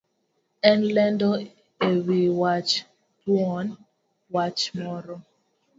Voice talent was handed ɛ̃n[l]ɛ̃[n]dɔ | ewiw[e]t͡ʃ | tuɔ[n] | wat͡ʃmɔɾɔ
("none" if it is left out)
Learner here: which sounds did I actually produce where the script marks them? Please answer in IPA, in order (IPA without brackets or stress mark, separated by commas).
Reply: l, n, a, n